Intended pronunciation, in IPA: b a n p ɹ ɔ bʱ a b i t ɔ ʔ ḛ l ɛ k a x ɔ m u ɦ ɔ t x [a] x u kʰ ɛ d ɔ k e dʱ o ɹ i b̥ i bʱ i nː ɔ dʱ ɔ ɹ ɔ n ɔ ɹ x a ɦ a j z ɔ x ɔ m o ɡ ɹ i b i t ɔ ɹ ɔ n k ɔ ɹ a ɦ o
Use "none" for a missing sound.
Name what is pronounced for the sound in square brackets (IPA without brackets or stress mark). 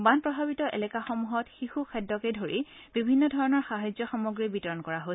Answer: i